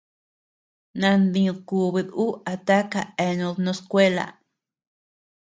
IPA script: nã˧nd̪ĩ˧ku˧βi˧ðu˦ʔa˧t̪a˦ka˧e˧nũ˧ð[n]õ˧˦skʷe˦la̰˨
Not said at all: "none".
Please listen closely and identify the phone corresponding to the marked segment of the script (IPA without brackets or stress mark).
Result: n